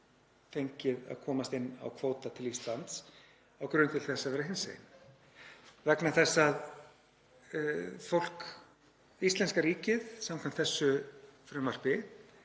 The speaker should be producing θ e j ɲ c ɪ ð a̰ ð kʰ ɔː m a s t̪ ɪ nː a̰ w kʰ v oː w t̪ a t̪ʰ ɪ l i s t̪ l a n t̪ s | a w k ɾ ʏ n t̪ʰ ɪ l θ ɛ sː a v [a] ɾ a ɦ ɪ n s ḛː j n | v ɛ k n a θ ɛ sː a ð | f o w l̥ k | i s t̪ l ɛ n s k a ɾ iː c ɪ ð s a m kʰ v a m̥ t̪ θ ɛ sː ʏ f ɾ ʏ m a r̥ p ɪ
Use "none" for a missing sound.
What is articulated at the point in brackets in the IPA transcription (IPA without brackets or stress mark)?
ɛ